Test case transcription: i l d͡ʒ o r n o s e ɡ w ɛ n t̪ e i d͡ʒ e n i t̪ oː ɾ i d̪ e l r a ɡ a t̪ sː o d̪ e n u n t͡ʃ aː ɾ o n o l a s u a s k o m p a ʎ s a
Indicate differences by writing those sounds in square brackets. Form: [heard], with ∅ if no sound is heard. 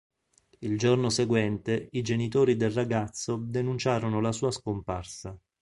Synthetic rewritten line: i l d͡ʒ o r n o s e ɡ w ɛ n t̪ e i d͡ʒ e n i t̪ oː ɾ i d̪ e l r a ɡ a t̪ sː o d̪ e n u n t͡ʃ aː ɾ o n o l a s [uː] a s k o m p a [r] s a